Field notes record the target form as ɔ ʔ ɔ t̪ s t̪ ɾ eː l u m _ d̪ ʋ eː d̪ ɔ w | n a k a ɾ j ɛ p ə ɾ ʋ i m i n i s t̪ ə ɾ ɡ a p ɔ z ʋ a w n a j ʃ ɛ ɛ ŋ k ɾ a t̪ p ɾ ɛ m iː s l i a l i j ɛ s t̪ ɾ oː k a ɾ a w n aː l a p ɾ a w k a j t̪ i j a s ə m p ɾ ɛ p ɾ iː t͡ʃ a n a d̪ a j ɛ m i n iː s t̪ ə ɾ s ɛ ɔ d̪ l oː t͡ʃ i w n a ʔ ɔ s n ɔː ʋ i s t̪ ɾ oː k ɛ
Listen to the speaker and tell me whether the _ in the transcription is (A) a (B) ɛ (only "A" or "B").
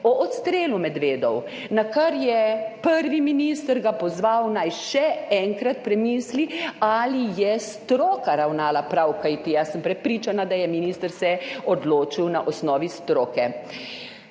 B